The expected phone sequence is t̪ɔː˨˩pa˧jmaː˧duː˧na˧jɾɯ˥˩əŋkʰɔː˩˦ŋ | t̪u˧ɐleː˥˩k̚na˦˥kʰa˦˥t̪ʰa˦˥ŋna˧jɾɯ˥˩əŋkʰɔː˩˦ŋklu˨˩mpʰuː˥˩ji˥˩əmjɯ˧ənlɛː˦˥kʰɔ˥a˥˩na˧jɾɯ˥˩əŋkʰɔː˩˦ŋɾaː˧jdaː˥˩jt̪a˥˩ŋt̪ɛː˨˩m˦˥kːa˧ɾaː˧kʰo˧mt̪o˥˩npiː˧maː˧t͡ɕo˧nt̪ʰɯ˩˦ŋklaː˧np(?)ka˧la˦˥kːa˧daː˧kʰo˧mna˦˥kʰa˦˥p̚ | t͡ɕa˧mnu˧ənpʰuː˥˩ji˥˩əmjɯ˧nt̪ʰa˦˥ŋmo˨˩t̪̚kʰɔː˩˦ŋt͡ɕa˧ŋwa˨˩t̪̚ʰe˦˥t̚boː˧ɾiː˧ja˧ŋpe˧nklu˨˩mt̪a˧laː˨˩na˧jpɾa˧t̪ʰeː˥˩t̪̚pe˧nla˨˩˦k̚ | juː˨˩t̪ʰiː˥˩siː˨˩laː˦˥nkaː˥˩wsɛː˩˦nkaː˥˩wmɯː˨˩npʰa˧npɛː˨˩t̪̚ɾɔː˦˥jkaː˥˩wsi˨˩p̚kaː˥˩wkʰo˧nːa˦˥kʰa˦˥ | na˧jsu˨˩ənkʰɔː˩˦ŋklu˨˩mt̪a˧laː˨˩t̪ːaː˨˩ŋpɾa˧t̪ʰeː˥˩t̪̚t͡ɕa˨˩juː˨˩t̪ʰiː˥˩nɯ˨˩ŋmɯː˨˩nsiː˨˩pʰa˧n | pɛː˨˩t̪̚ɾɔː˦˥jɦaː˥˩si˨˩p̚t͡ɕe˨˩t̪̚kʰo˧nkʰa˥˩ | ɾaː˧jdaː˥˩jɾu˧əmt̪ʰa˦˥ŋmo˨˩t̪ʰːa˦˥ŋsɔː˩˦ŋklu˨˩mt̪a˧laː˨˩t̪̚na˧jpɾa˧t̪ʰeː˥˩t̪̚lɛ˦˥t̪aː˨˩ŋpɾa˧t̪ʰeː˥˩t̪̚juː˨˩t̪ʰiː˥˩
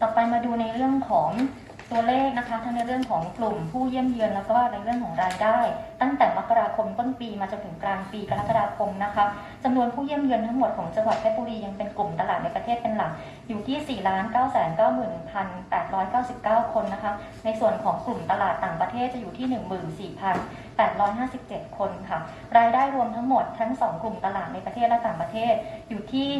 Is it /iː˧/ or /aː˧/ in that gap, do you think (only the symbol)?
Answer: iː˧